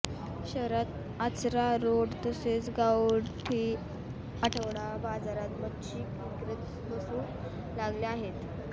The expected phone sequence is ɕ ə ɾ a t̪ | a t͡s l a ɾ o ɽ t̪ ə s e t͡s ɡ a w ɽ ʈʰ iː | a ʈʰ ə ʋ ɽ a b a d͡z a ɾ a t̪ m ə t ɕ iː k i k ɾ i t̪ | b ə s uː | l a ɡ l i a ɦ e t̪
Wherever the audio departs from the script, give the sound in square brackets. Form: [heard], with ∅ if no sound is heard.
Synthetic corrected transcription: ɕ ə ɾ a t̪ | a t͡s [ɾ] a ɾ o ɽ t̪ ə s e t͡s ɡ a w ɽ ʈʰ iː | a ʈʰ ə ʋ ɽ a b a d͡z a ɾ a t̪ m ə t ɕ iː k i k ɾ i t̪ | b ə s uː | l a ɡ l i a ɦ e t̪